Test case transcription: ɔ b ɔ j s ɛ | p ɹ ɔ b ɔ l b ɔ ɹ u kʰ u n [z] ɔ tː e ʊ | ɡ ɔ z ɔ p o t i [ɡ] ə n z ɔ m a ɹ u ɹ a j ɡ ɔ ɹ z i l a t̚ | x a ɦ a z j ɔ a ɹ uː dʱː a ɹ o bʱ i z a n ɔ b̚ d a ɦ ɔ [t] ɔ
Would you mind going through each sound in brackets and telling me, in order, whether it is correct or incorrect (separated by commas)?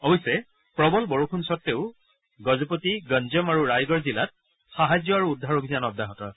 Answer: incorrect, correct, correct